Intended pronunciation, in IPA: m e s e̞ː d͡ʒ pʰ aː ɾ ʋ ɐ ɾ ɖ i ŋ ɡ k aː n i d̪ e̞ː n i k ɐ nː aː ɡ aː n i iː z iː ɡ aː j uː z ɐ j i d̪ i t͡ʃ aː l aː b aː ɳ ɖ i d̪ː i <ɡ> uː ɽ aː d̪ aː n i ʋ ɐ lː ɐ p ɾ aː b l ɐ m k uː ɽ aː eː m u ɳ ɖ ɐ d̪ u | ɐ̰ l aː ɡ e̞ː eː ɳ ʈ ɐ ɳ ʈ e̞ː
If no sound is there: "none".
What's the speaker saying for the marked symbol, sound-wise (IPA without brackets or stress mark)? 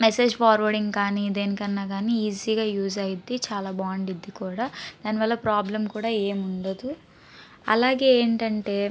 k